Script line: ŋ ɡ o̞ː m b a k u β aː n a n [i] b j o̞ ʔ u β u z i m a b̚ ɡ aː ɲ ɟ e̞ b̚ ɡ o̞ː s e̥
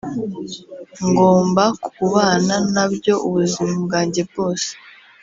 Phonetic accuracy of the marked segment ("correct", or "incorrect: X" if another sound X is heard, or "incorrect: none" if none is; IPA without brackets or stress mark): incorrect: a